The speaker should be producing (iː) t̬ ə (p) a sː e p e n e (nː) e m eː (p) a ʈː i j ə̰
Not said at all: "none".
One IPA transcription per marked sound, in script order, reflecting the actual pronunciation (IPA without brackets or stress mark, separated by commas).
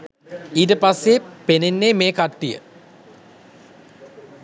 iː, p, nː, k